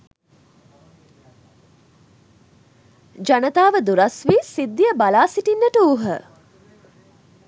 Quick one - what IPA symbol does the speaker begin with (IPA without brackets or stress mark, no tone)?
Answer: d͡ʒ